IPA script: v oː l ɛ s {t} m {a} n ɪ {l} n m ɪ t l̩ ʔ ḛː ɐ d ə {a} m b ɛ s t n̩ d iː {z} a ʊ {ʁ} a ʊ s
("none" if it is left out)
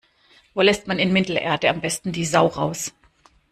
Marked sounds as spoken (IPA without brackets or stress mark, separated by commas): t, a, none, a, z, ʁ